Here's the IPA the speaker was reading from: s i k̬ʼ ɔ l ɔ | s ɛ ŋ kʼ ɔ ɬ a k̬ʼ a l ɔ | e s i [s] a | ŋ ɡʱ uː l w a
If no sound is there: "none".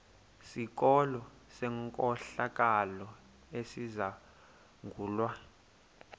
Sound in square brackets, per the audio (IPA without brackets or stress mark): z